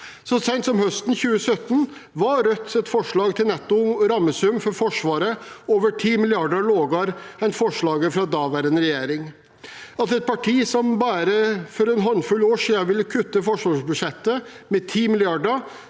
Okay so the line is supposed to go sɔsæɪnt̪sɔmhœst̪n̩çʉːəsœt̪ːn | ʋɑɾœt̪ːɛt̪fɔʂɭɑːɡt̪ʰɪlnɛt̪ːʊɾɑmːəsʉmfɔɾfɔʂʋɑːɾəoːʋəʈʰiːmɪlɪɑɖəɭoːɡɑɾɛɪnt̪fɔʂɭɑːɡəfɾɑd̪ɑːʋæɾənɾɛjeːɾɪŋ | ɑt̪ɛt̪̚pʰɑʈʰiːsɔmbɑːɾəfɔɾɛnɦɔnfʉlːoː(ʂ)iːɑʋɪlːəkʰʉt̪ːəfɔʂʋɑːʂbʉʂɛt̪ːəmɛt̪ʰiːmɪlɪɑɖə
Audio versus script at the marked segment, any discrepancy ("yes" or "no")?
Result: no